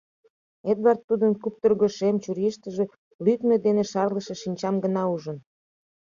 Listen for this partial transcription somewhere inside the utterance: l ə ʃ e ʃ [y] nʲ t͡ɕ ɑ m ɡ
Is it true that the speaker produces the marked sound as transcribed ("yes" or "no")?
no